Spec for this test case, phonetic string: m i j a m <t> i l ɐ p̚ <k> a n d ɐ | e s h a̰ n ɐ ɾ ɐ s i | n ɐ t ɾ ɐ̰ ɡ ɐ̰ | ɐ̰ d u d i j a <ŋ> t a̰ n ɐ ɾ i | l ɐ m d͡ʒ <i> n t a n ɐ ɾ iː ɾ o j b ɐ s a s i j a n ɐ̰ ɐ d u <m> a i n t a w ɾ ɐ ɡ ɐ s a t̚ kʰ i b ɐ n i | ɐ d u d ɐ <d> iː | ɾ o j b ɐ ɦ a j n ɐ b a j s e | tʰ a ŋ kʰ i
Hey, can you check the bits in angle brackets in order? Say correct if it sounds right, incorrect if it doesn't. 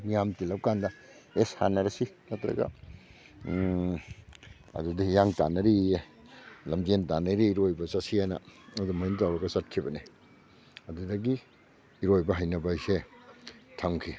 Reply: correct, correct, correct, incorrect: e, correct, incorrect: ɡ

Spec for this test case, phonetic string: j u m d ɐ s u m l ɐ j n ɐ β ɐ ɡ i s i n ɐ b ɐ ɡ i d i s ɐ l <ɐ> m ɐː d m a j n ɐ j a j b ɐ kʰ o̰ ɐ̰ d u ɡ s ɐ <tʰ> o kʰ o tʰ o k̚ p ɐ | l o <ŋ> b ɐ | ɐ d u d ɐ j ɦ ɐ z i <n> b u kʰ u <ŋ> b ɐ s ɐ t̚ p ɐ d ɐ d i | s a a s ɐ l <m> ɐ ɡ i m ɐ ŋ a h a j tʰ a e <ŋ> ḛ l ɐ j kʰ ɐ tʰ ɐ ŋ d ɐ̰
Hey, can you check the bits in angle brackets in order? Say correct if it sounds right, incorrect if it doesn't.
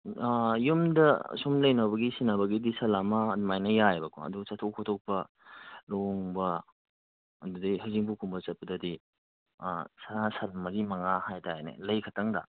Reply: incorrect: a, correct, correct, incorrect: ŋ, incorrect: m, correct, incorrect: n

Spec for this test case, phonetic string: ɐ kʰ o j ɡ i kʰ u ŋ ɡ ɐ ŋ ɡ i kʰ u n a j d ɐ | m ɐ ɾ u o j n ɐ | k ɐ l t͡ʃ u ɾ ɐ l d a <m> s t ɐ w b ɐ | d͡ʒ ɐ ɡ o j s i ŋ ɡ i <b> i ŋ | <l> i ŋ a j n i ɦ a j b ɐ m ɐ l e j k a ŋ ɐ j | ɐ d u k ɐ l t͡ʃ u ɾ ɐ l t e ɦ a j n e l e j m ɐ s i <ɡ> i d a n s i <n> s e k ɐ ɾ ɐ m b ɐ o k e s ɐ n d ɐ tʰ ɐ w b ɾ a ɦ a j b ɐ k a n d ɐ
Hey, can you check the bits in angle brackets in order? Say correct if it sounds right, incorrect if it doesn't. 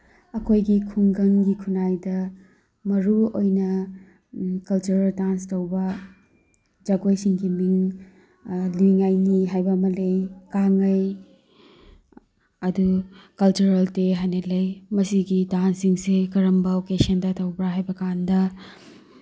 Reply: incorrect: n, incorrect: m, correct, correct, incorrect: ŋ

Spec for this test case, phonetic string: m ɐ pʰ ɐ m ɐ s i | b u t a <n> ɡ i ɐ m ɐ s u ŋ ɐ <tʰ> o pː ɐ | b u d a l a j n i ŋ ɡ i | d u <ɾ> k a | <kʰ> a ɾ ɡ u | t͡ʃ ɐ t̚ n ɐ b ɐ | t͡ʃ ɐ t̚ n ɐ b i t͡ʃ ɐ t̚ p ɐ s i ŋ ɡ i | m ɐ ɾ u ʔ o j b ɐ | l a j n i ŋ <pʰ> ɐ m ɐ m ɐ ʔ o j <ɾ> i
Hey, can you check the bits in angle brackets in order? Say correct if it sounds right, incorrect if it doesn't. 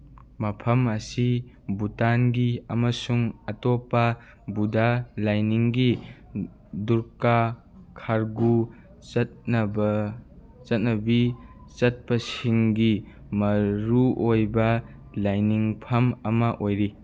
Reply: correct, incorrect: t, correct, correct, correct, correct

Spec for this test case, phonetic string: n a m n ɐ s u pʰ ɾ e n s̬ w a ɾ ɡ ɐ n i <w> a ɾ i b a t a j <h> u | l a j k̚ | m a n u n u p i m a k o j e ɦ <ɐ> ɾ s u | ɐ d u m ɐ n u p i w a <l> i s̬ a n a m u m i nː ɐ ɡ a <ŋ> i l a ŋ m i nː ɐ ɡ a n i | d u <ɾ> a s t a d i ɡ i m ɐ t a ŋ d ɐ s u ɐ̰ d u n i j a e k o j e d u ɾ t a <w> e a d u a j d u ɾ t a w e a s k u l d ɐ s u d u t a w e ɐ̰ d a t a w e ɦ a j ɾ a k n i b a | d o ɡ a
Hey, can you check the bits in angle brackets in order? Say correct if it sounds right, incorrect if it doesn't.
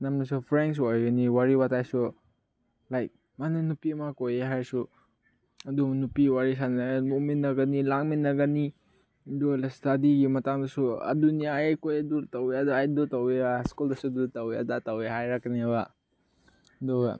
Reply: correct, incorrect: s, incorrect: a, incorrect: ɾ, incorrect: n, incorrect: l, correct

